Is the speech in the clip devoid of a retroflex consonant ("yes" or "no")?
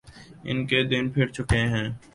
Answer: yes